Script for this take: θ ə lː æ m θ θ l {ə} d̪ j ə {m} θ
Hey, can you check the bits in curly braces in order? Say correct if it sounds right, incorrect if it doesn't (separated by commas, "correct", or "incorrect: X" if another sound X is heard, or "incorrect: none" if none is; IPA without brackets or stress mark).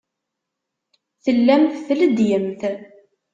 correct, correct